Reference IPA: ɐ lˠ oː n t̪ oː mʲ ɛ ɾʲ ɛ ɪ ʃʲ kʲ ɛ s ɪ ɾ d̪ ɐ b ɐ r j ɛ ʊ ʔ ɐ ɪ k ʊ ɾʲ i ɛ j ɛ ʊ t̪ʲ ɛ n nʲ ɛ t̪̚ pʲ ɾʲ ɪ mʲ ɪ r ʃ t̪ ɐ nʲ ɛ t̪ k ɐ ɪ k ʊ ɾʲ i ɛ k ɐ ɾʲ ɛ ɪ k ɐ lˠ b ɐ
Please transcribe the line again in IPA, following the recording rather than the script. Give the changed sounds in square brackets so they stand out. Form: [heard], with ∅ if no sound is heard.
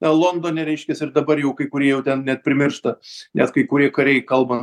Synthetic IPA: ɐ lˠ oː n [d̪] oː [nʲ] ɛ ɾʲ ɛ ɪ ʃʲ kʲ ɛ s ɪ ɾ d̪ ɐ b ɐ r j ɛ ʊ [k] ɐ ɪ k ʊ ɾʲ i ɛ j ɛ ʊ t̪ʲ ɛ n nʲ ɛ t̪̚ pʲ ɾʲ ɪ mʲ ɪ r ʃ t̪ ɐ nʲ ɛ t̪ k ɐ ɪ k ʊ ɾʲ i ɛ k ɐ ɾʲ ɛ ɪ k ɐ lˠ b ɐ